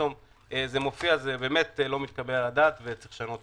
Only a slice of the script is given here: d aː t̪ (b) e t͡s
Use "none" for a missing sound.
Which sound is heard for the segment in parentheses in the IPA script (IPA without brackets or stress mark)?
v